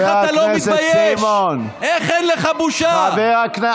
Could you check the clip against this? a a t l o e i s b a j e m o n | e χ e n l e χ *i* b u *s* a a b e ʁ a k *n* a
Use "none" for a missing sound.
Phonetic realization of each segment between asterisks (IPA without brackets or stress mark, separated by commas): a, ʃ, n